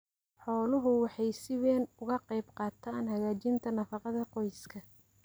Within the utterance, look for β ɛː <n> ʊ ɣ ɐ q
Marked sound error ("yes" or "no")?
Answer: no